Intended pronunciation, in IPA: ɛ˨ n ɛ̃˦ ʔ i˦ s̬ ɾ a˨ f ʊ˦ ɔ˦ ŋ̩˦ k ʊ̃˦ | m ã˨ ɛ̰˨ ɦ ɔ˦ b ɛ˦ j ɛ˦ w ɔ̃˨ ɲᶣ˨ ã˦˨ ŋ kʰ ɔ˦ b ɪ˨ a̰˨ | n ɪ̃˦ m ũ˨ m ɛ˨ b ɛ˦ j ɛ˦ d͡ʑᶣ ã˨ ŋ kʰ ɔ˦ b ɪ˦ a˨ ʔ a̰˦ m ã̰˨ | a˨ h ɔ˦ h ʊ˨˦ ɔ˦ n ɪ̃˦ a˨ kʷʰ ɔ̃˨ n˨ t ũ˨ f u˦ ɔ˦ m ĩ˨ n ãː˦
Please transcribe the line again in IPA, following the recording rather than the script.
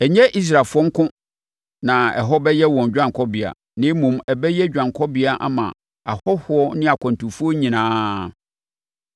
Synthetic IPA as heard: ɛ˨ ɲ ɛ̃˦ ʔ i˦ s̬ ɾ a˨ f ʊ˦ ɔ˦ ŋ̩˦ k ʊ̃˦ | n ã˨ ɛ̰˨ ɦ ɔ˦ b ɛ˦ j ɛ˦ w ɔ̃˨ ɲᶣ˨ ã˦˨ ŋ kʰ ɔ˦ b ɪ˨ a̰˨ | n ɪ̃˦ m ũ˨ m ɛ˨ b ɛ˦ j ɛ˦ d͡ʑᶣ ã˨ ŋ kʰ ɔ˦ b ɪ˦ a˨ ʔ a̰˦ m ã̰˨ | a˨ h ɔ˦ h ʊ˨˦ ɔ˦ n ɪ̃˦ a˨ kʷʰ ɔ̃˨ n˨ t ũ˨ f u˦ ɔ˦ ɲ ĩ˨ n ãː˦

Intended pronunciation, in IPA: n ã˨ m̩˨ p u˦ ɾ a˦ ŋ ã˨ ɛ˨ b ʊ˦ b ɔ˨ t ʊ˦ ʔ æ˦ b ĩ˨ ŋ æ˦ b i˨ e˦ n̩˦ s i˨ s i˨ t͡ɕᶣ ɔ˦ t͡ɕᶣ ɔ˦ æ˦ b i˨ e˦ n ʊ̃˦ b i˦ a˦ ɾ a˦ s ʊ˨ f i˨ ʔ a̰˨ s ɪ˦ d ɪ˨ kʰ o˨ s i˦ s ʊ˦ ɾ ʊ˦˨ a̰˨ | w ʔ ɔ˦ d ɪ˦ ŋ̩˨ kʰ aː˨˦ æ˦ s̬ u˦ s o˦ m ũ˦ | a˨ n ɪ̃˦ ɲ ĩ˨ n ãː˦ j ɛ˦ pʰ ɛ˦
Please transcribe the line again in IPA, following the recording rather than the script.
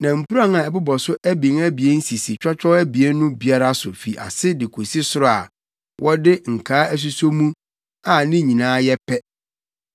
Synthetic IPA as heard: n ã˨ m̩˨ p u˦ ɾ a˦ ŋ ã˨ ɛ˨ b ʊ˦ b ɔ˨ s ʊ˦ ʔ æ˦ b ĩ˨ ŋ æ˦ b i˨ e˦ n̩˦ s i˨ s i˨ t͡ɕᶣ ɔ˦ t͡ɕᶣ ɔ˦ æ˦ b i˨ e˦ n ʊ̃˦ b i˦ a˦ ɾ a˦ s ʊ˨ f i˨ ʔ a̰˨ s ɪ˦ d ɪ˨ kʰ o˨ s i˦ s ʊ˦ ɾ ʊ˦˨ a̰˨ | w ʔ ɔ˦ d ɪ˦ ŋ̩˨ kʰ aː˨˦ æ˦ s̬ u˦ s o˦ m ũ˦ | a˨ n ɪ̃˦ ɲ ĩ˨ n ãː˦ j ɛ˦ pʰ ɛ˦

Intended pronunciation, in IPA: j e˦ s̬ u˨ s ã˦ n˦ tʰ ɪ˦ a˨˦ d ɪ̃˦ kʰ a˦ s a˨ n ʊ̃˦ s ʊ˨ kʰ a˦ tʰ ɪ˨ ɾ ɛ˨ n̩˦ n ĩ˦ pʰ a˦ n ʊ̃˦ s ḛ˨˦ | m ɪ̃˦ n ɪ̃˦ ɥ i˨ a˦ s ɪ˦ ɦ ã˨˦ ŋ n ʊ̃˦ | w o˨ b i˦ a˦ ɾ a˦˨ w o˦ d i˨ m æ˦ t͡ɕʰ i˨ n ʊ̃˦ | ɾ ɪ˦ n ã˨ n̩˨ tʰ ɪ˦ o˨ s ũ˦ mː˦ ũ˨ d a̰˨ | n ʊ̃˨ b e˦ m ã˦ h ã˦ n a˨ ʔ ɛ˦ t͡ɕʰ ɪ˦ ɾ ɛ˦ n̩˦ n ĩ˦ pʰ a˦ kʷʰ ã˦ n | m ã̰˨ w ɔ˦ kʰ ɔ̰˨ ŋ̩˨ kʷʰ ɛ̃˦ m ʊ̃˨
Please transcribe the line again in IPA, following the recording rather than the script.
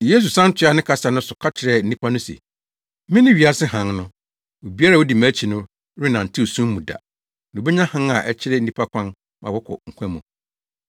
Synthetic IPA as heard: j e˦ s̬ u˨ s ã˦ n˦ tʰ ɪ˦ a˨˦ n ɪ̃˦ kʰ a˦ s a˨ n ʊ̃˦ s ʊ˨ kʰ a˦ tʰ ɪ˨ ɾ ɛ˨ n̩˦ n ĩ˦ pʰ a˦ n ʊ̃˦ s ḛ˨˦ | m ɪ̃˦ n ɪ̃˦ ɥ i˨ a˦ s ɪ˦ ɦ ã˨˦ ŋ n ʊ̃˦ | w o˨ b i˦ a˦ ɾ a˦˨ w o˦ d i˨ m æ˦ t͡ɕʰ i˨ n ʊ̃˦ | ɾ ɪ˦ n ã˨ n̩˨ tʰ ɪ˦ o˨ s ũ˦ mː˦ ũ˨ d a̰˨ | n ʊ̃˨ b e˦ ɲ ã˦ h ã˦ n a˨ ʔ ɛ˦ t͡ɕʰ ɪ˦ ɾ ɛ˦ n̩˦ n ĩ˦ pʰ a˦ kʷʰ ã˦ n | m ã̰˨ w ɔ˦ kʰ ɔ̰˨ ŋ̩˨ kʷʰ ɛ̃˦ m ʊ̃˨

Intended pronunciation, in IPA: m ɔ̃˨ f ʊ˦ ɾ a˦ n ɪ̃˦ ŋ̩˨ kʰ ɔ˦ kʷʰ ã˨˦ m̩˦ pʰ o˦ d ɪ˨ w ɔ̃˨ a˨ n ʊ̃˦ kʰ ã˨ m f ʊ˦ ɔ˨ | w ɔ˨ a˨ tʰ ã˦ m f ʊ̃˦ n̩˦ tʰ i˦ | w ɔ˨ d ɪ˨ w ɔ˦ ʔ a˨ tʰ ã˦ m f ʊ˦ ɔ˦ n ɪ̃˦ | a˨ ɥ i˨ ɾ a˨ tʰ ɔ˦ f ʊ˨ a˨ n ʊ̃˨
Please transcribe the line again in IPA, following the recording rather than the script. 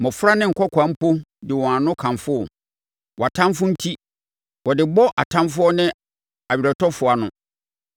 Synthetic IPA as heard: m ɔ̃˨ f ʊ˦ ɾ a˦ n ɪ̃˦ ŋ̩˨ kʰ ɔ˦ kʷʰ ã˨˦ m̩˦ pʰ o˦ d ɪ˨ w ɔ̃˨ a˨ n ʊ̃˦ kʰ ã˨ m f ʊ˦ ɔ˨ | w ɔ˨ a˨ tʰ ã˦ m f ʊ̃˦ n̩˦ tʰ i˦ | w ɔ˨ d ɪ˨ b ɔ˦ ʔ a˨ tʰ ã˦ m f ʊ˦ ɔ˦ n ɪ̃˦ | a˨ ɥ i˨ ɾ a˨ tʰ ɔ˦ f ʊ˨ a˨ n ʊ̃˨

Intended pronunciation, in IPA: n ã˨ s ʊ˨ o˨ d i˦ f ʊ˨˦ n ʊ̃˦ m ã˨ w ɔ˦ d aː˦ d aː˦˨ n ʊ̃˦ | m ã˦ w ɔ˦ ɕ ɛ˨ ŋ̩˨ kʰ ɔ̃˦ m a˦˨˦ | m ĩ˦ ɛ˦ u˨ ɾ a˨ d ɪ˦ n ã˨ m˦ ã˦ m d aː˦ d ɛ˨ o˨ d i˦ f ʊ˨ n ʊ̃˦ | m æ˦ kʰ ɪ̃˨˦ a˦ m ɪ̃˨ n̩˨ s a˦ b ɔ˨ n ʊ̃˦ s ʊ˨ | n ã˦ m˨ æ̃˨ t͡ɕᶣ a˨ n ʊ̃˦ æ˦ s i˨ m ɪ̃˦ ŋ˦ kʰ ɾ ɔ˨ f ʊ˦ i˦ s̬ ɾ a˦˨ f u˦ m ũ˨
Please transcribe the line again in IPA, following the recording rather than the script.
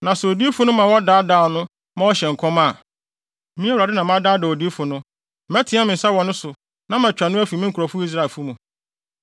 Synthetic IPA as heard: n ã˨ s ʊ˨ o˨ d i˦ f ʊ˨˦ n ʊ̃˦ m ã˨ w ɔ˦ d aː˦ d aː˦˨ n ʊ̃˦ | m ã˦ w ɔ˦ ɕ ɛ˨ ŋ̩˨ kʰ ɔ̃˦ m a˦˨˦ | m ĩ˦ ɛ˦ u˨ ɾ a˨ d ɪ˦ n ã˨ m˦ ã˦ d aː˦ d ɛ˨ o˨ d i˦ f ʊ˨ n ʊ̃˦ | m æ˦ tʰ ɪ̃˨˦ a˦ m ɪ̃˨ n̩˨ s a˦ w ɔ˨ n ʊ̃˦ s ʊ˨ | n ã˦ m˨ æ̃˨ t͡ɕᶣ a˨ n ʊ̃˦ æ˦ f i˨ m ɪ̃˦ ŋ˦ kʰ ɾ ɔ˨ f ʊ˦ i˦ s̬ ɾ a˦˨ f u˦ m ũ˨

